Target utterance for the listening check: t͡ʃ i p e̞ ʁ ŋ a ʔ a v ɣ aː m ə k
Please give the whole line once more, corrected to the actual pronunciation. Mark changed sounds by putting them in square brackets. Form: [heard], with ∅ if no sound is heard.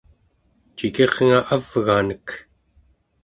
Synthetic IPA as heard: t͡ʃ i [k] e̞ ʁ ŋ a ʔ a v ɣ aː [n] ə k